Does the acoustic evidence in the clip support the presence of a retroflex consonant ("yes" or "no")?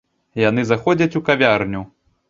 no